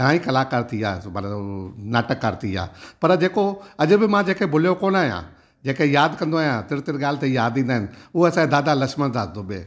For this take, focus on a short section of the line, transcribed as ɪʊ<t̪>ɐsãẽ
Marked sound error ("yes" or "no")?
yes